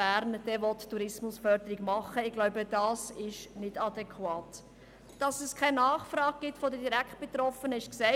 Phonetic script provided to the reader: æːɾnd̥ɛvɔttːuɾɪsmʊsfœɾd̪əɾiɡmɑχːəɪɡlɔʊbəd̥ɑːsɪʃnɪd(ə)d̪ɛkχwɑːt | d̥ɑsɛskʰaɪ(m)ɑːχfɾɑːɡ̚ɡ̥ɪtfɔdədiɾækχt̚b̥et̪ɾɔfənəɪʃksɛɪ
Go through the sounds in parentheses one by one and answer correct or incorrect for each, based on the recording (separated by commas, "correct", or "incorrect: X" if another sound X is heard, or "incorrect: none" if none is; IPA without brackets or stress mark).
incorrect: ɑ, incorrect: n